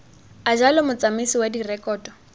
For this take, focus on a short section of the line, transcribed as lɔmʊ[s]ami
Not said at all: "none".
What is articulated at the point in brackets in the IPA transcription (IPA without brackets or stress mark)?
t͡s